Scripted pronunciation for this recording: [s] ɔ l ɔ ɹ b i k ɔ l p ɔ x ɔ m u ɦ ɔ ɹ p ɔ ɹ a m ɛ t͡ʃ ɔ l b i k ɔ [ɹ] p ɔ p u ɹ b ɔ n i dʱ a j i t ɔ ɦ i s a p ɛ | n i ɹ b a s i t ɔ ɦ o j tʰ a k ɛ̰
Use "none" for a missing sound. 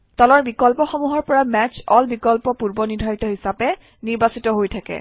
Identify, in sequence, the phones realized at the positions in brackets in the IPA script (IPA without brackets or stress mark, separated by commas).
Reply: t, l